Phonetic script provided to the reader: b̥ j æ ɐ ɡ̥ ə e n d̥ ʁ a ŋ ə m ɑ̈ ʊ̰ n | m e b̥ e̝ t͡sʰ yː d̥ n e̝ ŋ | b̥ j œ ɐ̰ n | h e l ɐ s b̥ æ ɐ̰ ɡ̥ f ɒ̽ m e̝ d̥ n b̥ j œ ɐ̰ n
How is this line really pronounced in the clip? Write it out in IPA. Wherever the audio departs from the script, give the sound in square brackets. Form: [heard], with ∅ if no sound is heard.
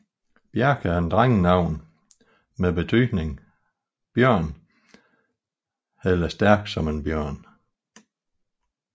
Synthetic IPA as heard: b̥ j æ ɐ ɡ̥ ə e n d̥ ʁ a ŋ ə [n] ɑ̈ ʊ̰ n | m e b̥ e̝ t͡sʰ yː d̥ n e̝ ŋ | b̥ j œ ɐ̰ n | h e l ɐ s [d̥] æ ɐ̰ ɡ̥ [s] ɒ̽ m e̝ [∅] n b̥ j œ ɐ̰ n